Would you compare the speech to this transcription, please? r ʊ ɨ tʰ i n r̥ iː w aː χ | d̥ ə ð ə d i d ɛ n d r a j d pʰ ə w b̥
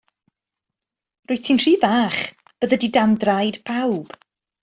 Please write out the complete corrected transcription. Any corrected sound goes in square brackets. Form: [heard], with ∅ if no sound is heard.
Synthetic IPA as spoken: r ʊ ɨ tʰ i n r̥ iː [v] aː χ | [b̥] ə ð ə d i d [a] n d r a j d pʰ [a] w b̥

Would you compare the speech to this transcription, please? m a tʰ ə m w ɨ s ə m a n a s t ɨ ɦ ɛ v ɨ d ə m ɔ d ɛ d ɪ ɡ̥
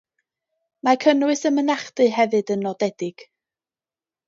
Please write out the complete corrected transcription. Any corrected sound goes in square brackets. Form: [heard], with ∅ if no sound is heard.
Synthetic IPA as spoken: m a [kʰ] ə [n] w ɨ s ə m [ə] n a [χ] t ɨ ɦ ɛ v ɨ d ə [n] ɔ d ɛ d ɪ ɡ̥

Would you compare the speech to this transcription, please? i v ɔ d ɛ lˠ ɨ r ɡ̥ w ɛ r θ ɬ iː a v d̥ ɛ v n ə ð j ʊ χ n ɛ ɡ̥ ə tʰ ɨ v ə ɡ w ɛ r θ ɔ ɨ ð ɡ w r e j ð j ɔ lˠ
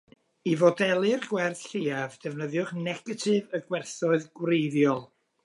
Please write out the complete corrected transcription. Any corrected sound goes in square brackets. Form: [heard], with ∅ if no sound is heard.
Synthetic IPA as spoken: i v ɔ d ɛ lˠ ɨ r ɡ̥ w ɛ r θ ɬ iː a v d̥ ɛ v n ə ð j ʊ χ n ɛ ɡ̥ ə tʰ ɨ v ə ɡ w ɛ r θ ɔ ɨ ð ɡ w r e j ð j ɔ lˠ

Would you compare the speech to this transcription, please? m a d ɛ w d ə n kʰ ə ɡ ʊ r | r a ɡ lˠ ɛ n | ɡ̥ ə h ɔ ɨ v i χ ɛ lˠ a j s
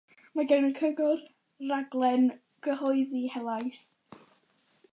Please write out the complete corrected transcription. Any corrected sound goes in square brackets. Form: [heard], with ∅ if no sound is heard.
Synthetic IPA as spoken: m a [ɡ] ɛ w [n] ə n kʰ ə ɡ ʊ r | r a ɡ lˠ ɛ n | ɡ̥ ə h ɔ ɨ [ð] i [h] ɛ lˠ a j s

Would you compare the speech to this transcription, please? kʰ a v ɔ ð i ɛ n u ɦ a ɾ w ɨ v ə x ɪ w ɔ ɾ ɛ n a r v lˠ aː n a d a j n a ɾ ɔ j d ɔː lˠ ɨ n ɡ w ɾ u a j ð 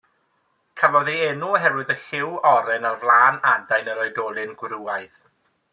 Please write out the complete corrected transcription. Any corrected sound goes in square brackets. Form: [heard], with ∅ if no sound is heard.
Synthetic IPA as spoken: kʰ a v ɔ ð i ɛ n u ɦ [ɛ] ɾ w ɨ [ð] ə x ɪ w ɔ ɾ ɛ n a r v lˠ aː n a d a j n [ə] ɾ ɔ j d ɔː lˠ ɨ n ɡ w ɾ u a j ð

